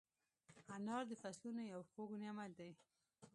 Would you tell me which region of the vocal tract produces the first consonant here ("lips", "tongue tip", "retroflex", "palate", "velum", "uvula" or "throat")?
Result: tongue tip